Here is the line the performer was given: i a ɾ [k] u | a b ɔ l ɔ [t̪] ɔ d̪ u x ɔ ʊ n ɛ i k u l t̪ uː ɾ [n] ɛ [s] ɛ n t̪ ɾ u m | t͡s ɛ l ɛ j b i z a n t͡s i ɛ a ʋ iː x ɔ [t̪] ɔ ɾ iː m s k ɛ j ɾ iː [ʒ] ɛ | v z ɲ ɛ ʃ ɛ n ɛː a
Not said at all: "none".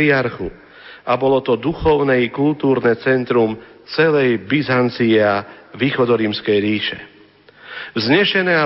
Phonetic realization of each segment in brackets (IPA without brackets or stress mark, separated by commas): x, t̪, n, t͡s, d̪, ʃ